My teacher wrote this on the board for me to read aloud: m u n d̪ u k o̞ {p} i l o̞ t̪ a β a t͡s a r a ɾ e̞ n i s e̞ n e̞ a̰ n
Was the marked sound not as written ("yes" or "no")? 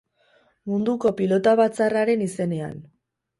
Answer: no